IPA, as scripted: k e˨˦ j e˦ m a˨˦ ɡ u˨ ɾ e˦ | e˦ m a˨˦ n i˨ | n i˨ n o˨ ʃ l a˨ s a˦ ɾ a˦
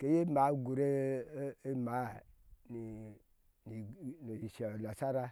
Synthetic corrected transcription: k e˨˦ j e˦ m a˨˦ ɡ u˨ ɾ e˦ | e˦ m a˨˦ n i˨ | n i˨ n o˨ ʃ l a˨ s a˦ ɾ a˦